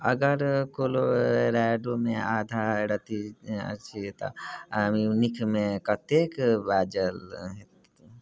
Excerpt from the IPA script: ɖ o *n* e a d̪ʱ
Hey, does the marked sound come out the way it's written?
no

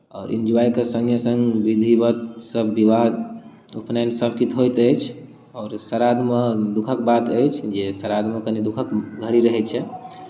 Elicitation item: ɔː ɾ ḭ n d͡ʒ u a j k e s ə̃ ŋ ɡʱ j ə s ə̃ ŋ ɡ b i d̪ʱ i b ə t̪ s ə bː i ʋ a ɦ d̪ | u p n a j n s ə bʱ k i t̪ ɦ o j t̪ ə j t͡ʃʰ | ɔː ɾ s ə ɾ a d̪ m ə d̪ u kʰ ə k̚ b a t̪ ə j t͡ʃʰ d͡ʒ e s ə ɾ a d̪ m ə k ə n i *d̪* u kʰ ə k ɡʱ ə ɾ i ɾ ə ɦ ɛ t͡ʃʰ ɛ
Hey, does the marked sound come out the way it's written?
yes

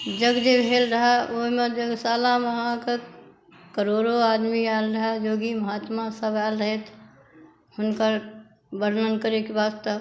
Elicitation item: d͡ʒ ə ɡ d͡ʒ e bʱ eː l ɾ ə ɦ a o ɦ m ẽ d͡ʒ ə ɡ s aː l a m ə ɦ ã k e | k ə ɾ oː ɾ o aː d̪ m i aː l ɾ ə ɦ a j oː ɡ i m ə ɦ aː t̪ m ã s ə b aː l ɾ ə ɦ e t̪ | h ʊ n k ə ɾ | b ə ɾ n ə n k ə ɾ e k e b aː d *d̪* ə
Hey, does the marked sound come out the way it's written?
no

